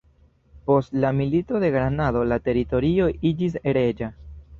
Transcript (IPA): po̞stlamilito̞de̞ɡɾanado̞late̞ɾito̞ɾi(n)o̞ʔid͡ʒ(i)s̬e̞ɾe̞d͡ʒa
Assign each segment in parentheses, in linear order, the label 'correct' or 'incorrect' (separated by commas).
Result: incorrect, correct